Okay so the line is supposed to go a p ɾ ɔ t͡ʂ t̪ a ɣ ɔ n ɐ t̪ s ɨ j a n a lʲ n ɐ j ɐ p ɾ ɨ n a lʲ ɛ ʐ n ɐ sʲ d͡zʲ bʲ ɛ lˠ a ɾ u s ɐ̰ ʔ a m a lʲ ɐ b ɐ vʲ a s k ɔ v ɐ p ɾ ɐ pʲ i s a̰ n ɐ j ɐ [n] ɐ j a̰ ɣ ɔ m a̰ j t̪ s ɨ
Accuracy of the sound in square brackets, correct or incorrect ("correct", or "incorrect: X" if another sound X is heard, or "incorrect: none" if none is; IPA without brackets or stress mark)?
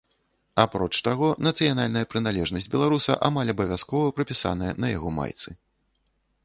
correct